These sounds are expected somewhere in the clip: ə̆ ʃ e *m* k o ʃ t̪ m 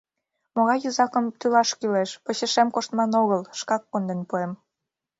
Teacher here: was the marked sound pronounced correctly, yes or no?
yes